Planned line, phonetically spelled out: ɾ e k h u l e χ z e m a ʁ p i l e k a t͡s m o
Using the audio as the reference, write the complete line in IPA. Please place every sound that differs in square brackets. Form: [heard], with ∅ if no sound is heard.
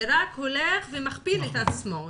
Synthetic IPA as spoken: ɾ [a] k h [o] l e χ [v] e m a [χ] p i l e [t] a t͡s m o